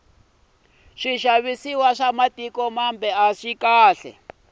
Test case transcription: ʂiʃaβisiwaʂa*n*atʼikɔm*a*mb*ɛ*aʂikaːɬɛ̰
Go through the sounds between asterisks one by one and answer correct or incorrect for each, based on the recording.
incorrect: m, correct, correct

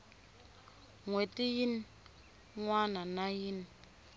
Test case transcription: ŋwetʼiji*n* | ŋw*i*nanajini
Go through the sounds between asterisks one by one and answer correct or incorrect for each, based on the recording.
correct, incorrect: a

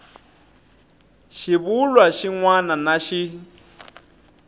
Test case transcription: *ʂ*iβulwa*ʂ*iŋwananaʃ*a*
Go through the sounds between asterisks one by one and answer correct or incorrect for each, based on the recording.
incorrect: ʃ, incorrect: ʃ, incorrect: i

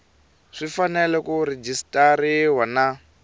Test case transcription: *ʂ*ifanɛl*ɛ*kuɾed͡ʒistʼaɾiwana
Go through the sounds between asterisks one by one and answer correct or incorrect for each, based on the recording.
correct, correct

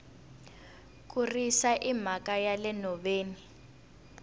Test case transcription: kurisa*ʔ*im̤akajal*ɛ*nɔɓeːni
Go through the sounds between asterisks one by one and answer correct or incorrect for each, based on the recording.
correct, correct

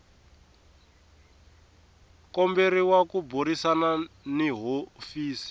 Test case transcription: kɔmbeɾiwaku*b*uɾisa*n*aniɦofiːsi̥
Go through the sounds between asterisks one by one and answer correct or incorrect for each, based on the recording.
correct, correct

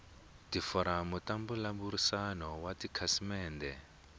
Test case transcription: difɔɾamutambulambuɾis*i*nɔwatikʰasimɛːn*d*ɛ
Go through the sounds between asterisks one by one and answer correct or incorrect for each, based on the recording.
incorrect: a, correct

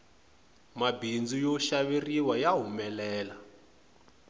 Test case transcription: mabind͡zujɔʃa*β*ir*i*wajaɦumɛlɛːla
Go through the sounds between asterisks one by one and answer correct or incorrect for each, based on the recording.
correct, correct

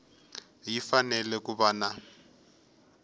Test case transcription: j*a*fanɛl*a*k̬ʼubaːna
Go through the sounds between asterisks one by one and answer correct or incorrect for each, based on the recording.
incorrect: i, incorrect: ɛ

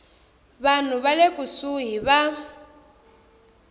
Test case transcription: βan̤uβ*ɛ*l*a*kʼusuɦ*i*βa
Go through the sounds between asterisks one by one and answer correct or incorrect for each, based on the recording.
incorrect: a, incorrect: e, correct

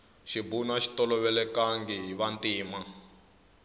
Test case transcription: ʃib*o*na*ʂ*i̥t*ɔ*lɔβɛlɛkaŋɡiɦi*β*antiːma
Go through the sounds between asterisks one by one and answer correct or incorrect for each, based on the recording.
incorrect: u, incorrect: ʃ, correct, correct

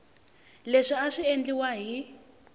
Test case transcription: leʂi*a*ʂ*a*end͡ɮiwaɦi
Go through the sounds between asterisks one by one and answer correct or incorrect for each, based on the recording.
correct, incorrect: i

